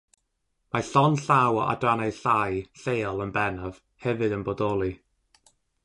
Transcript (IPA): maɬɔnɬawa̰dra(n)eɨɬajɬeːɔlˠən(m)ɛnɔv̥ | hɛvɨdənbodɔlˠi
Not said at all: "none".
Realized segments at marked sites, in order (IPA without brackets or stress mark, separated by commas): n, b